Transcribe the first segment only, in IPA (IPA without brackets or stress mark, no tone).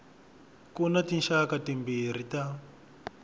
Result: k